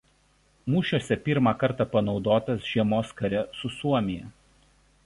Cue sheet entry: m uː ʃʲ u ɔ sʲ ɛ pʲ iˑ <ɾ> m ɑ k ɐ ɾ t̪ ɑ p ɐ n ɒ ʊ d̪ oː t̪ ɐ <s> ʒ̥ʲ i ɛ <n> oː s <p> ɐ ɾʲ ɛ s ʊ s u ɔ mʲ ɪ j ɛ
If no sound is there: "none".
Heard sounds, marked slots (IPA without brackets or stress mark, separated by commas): ɾ, s, m, k